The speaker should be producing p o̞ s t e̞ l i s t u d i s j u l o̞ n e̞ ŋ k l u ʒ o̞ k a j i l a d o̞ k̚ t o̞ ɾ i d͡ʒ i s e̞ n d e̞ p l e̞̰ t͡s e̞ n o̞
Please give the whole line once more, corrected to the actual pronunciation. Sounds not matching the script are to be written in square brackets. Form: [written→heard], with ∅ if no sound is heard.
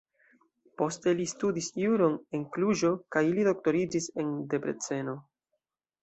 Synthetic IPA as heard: p o̞ s t e̞ l i s t u d i s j u [l→ɾ] o̞ n e̞ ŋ k l u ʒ o̞ k a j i l [a→i] d o̞ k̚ t o̞ ɾ i d͡ʒ i s e̞ n d e̞ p [l→ɾ] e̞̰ t͡s e̞ n o̞